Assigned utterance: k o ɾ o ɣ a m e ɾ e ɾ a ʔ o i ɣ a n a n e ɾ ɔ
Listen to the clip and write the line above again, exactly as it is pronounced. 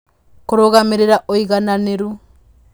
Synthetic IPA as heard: k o ɾ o ɣ a m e ɾ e ɾ a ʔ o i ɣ a n a n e ɾ u